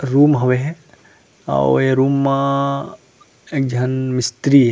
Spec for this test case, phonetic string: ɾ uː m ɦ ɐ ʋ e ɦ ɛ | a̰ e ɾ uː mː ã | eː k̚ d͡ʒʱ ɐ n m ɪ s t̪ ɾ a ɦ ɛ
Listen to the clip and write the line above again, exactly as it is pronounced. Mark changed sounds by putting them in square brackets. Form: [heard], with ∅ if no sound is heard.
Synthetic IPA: ɾ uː m ɦ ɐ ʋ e ɦ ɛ | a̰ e ɾ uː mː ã | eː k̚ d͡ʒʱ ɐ n m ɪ s t̪ ɾ [i] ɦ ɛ